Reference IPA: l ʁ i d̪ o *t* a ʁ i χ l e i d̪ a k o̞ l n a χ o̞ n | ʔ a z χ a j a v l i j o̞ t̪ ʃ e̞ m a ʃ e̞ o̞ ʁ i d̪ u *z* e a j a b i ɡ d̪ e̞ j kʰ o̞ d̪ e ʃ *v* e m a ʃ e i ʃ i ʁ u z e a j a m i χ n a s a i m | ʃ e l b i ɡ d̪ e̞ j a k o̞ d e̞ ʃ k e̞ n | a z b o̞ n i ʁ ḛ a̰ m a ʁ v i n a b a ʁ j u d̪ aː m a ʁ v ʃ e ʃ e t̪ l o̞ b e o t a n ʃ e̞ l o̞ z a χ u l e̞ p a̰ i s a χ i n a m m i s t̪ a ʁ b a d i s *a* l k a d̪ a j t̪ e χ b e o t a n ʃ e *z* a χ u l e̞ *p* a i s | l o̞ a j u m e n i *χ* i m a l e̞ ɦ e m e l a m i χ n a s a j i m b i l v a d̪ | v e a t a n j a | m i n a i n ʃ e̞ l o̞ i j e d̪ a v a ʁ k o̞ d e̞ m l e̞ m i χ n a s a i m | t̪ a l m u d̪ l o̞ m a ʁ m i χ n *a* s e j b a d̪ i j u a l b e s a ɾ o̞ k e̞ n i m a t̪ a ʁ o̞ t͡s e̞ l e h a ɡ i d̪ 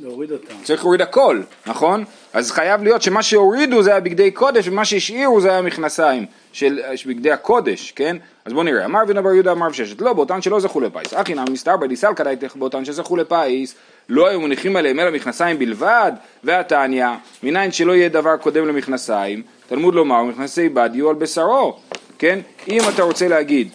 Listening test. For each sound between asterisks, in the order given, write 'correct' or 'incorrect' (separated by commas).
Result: incorrect, correct, correct, correct, correct, correct, correct, correct